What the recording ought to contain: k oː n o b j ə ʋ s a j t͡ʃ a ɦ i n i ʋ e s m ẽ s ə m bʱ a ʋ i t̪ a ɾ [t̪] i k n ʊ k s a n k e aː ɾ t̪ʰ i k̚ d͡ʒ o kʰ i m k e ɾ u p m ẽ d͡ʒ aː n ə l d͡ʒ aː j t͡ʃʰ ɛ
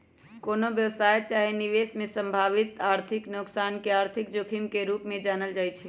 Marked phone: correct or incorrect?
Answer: incorrect